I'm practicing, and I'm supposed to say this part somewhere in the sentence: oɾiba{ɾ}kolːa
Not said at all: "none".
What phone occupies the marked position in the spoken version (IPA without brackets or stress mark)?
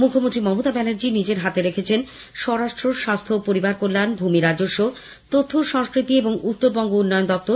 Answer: ɾ